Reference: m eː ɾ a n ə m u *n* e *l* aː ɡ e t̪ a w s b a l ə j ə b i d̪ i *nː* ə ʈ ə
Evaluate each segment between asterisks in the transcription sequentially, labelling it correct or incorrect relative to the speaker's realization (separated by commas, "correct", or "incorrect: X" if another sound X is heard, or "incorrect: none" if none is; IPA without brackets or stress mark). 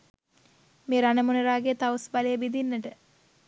correct, incorrect: ɾ, correct